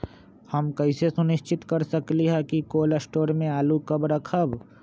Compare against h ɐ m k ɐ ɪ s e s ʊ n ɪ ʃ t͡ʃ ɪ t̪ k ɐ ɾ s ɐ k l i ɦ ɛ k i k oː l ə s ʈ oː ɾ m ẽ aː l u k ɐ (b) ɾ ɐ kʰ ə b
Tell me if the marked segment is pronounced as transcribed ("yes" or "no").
yes